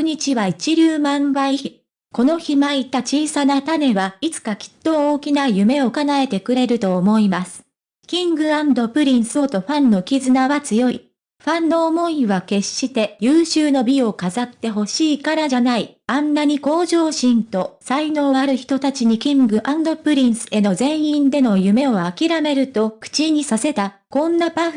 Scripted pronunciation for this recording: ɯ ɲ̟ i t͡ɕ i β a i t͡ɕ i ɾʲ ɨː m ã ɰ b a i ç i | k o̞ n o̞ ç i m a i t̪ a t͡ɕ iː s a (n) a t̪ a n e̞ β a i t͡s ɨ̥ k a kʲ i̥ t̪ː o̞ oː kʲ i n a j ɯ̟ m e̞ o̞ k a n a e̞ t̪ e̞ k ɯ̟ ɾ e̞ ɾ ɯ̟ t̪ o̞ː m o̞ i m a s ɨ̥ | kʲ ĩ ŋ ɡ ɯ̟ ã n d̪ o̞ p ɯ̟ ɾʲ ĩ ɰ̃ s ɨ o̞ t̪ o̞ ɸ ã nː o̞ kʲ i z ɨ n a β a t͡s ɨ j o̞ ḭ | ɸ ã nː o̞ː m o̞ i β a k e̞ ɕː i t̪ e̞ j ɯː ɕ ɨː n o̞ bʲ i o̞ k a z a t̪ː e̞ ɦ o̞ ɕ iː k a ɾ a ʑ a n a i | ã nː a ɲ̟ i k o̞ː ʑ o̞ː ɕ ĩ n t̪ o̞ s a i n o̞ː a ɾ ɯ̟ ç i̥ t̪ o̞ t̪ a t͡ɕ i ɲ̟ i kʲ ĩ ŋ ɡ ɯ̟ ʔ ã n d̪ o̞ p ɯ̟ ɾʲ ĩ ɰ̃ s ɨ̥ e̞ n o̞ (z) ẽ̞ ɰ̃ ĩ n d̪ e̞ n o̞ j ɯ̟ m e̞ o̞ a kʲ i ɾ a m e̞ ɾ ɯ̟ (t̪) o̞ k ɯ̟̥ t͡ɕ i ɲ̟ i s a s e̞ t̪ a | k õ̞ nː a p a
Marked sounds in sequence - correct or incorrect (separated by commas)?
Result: correct, correct, correct